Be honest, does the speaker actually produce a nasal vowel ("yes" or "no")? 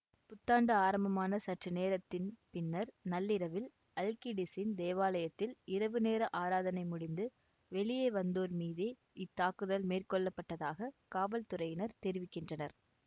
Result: no